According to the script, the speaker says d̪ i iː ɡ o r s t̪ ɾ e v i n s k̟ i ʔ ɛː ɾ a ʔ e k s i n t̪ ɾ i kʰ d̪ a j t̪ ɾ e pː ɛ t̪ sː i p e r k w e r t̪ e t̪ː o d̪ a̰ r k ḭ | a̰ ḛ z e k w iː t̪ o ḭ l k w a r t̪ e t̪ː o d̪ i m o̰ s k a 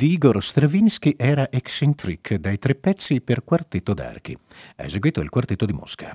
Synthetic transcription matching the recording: d̪ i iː ɡ o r s t̪ ɾ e v i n s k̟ i ʔ ɛː ɾ a ʔ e k s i n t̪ ɾ i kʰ d̪ a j t̪ ɾ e pː ɛ t̪ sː i p e r k w a r t̪ e t̪ː o d̪ a̰ r k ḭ | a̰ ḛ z e ɡ w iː t̪ o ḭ l k w a r t̪ e t̪ː o d̪ i m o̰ s k a